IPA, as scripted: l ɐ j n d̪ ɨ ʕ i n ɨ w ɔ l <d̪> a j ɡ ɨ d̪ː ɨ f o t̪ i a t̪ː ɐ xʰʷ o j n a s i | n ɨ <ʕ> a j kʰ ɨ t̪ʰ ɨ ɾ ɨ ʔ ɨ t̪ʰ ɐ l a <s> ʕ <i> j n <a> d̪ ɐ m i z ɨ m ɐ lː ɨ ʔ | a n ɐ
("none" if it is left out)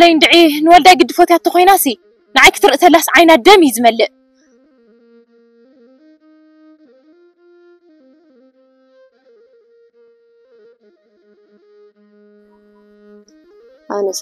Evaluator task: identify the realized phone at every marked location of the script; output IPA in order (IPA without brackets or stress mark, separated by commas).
d̪, ʕ, s, a, a